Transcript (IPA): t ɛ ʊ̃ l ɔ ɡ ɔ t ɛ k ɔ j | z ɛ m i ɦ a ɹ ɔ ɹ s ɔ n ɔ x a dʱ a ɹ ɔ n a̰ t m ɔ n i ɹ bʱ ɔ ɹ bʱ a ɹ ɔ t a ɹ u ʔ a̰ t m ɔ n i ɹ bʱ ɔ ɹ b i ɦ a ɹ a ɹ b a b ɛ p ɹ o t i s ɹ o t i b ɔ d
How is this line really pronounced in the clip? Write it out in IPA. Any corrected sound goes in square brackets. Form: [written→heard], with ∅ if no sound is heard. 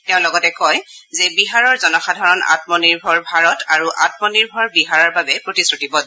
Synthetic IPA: t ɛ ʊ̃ l ɔ ɡ ɔ t ɛ k ɔ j | z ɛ [m→b] i ɦ a ɹ ɔ ɹ [s→z] ɔ n ɔ x a dʱ a ɹ ɔ n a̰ t m ɔ n i ɹ bʱ ɔ ɹ bʱ a ɹ ɔ t a ɹ u ʔ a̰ t m ɔ n i ɹ bʱ ɔ ɹ b i ɦ a ɹ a ɹ b a b ɛ p ɹ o t i s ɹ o t i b ɔ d